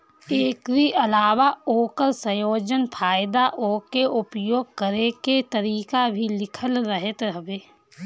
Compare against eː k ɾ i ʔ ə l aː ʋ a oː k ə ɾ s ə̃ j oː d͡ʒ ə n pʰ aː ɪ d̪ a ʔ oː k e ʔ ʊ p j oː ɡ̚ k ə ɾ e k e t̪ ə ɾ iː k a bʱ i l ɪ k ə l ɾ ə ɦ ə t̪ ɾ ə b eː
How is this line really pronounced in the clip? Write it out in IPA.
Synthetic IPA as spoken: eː k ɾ i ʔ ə l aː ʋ a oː k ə ɾ s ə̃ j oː d͡ʒ ə n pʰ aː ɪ d̪ a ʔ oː k e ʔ ʊ p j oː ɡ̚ k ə ɾ e k e t̪ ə ɾ iː k a bʱ i l ɪ kʰ ə l ɾ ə ɦ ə t̪ ɾ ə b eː